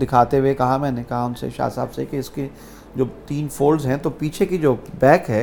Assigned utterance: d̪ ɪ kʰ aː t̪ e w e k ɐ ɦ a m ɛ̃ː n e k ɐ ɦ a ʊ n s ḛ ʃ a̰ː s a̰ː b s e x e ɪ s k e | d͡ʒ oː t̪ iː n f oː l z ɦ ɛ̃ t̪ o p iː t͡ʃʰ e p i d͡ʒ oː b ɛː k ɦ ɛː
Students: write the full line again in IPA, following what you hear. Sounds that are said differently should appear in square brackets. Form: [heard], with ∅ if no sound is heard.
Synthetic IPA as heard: d̪ ɪ kʰ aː t̪ e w e k ɐ ɦ a m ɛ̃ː n e k ɐ ɦ a ʊ n s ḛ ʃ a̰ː s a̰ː b s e [k] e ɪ s k e | d͡ʒ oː t̪ iː n f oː l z ɦ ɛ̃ t̪ o p iː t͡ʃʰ e [k] i d͡ʒ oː b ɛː k ɦ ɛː